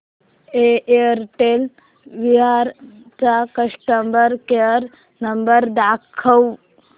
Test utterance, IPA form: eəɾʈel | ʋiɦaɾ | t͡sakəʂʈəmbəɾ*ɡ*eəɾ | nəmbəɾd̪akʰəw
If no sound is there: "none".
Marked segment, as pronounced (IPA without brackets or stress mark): k